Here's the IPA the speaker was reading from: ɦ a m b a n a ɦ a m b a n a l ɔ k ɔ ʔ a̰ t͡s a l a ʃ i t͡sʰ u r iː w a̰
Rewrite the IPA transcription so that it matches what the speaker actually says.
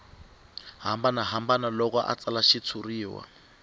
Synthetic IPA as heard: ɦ a m b a n a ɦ a m b a n a l ɔ k ɔ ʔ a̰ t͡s a l a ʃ i t͡sʰ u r iː w a̰